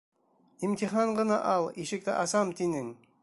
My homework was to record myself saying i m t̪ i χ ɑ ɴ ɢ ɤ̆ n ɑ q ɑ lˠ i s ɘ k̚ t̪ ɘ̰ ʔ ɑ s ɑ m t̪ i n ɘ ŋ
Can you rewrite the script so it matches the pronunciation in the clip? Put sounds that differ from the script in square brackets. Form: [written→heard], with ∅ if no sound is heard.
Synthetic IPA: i m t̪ i χ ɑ ɴ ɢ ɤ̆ n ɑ [q→ʔ] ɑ lˠ i [s→ʃ] ɘ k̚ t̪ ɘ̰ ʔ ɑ s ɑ m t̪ i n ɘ ŋ

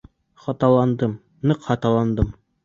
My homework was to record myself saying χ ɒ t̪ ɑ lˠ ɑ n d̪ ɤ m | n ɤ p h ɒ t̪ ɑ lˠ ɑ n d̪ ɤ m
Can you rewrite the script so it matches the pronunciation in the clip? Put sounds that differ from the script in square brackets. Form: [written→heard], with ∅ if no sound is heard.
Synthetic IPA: χ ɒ t̪ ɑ lˠ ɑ n d̪ ɤ m | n ɤ [p→q] h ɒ t̪ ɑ lˠ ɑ n d̪ ɤ m

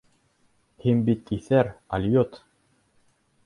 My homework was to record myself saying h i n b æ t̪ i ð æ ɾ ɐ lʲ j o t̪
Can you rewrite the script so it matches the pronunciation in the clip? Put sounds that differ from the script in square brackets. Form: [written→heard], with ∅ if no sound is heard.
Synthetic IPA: h i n b [æ→i] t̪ i [ð→θ] æ ɾ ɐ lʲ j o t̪

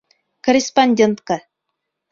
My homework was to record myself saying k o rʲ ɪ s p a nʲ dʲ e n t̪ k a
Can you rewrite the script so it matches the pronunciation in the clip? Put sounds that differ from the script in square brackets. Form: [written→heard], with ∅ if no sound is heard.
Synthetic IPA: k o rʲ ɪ s p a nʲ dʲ e n t̪ k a

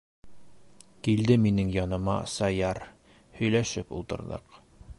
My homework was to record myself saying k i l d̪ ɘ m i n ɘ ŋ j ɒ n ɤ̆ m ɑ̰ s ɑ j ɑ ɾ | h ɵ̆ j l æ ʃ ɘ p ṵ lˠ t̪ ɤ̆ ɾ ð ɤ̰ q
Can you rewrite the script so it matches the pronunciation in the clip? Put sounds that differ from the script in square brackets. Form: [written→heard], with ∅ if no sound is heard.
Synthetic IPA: k i l d̪ ɘ m i n ɘ ŋ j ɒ n ɤ̆ m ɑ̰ s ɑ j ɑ ɾ | h ɵ̆ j l æ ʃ ɘ p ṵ lˠ t̪ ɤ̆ ɾ ð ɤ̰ q

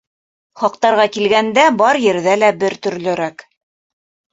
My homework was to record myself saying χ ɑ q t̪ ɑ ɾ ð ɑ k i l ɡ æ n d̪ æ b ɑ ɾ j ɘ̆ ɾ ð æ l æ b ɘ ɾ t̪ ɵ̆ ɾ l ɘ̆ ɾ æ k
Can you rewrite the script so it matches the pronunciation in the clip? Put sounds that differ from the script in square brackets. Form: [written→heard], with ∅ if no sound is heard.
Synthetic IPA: χ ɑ q t̪ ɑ ɾ [ð→ʁ] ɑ k i l ɡ æ n d̪ æ b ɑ ɾ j ɘ̆ ɾ ð æ l æ b ɘ ɾ t̪ ɵ̆ ɾ l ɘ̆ ɾ æ k

